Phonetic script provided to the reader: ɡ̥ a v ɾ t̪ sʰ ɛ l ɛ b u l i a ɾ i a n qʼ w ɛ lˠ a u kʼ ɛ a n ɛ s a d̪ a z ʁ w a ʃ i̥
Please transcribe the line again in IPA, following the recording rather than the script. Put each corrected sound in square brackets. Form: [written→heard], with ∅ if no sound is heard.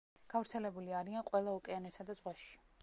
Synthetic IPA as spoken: ɡ̥ a v ɾ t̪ sʰ ɛ l ɛ b u l i a ɾ i a n qʼ w ɛ lˠ a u kʼ ɛ a n ɛ s a d̪ a z ʁ w a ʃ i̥